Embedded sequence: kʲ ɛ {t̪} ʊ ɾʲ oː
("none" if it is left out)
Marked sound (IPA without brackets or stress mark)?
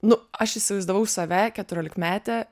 t̪